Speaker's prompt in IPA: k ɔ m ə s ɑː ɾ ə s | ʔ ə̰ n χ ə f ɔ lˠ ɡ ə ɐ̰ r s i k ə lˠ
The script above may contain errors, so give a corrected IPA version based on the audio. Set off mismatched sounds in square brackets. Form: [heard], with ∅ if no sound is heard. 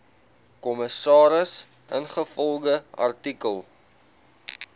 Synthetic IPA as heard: k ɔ m ə s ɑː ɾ ə s | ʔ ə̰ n χ ə f ɔ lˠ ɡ ə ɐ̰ r [t] i k ə lˠ